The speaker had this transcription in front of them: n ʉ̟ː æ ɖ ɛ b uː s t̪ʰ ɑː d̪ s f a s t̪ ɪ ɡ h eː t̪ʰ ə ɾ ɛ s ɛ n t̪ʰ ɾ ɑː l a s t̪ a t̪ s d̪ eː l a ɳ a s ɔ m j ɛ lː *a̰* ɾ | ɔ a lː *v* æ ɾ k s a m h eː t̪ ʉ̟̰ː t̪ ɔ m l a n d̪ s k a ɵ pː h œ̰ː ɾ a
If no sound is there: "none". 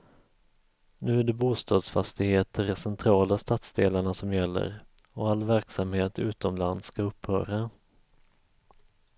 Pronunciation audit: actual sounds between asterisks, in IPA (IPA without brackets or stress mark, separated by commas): ə̰, v